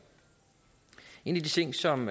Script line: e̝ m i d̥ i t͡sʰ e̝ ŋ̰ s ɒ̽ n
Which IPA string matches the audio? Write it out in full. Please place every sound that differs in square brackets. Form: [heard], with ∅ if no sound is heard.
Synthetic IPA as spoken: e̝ [n] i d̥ i t͡sʰ e̝ ŋ̰ s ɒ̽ [m]